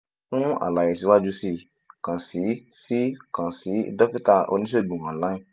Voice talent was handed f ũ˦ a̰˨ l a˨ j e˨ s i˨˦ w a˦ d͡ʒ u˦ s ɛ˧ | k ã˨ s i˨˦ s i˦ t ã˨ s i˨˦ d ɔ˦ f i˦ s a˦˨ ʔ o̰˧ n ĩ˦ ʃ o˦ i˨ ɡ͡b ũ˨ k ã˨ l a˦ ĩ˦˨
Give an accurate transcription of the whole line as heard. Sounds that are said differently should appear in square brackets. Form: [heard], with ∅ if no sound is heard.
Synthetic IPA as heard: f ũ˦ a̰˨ l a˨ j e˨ s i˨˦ w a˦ d͡ʒ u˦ s [i˧] | k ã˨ s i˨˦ s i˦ [k] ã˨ s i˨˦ d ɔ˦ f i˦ [t] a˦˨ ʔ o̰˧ n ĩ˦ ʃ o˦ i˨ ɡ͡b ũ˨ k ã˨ l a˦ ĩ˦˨